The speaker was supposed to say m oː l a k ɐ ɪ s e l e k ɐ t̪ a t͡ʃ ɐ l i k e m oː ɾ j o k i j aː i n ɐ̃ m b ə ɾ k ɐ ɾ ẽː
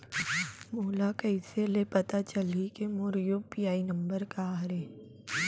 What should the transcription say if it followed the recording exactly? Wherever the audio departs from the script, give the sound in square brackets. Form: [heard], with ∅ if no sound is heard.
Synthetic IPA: m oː l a k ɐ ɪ s e l e [p] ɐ t̪ a t͡ʃ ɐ l i k e m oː ɾ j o [p] i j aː i n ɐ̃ m b ə ɾ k [a] ɾ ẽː